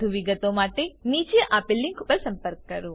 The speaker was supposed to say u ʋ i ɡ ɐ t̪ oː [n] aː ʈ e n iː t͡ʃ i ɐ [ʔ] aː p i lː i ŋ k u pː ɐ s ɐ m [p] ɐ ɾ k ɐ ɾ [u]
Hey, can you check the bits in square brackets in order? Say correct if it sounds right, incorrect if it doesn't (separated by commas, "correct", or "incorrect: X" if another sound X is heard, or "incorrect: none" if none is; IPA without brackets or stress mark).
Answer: incorrect: m, correct, correct, correct